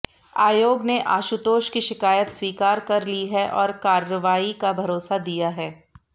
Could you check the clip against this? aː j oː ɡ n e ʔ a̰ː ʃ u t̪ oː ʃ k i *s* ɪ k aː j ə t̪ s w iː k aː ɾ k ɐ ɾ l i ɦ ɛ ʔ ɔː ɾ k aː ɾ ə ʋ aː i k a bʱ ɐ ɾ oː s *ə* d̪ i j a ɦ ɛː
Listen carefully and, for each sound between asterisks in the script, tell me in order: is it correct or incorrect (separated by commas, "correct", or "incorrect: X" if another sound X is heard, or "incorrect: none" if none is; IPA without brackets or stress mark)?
incorrect: ʃ, incorrect: a